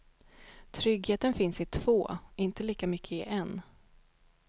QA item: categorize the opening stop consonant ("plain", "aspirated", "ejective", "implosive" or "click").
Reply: aspirated